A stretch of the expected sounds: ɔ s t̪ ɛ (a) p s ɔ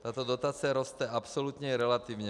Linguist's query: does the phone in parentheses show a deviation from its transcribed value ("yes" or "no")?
no